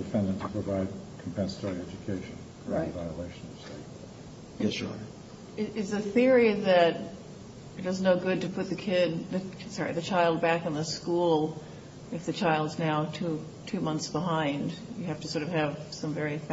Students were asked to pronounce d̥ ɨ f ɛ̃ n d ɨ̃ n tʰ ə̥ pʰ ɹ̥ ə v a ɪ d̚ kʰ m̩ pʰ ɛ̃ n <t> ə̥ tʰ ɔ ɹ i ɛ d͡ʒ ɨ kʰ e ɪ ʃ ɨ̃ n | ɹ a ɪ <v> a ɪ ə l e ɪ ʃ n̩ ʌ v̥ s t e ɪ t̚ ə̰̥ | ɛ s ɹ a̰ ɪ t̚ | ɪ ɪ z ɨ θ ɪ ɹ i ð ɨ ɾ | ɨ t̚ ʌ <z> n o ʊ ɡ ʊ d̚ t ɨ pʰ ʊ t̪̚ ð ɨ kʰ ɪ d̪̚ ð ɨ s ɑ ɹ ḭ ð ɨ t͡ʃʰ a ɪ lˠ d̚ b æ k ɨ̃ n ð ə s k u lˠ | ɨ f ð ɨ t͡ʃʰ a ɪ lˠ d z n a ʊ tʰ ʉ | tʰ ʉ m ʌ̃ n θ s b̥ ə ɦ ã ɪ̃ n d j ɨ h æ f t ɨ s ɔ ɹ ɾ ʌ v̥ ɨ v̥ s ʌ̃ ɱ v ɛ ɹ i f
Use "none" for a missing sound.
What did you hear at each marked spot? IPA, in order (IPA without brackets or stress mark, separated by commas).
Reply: s, v, z